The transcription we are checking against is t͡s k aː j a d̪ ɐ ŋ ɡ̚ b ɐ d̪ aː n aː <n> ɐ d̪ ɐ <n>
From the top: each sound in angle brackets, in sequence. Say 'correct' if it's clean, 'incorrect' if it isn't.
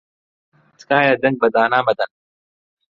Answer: incorrect: m, correct

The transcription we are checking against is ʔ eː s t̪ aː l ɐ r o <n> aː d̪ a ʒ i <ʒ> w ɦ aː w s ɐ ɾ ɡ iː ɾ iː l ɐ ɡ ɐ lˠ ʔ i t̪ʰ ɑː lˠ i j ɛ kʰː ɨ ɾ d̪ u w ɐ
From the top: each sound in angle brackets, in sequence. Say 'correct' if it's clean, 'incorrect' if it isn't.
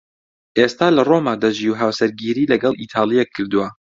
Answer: incorrect: m, incorrect: none

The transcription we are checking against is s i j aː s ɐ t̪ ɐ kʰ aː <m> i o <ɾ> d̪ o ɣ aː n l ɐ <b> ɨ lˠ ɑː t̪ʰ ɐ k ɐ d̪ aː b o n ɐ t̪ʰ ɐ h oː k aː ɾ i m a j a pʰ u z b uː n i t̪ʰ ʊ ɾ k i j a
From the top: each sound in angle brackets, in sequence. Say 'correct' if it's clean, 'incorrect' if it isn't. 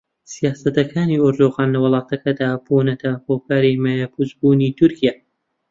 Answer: incorrect: n, correct, incorrect: w

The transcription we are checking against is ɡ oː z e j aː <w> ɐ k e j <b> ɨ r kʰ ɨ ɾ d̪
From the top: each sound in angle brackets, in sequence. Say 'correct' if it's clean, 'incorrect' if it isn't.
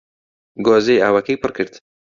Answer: correct, incorrect: p

